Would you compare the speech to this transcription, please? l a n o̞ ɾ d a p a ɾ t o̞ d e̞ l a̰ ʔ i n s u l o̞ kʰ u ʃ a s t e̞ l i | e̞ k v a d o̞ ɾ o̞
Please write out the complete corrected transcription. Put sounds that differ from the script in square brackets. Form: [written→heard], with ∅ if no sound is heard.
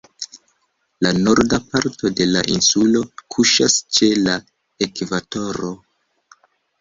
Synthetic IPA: l a n o̞ ɾ d a p a ɾ t o̞ d e̞ l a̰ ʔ i n s u l o̞ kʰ u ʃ a s [t→t͡ʃ] e̞ l [i→a] | e̞ k v a [d→t] o̞ ɾ o̞